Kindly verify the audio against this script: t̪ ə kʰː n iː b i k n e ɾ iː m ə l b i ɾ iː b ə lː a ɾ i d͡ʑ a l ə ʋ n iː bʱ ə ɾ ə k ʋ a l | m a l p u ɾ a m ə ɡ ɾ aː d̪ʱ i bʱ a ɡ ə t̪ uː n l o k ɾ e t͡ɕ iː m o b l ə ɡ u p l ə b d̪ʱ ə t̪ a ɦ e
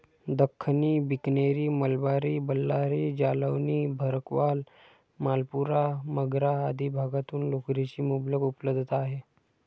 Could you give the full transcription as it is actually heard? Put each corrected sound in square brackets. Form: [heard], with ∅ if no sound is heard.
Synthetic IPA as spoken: [d̪] ə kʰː n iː b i k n e ɾ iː m ə l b [a] ɾ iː b ə lː a ɾ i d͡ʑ a l ə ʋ n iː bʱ ə ɾ ə k ʋ a l | m a l p u ɾ a m ə ɡ ɾ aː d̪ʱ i bʱ a ɡ [a] t̪ uː n l o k ɾ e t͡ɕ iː m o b l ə ɡ u p l ə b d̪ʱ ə t̪ a ɦ e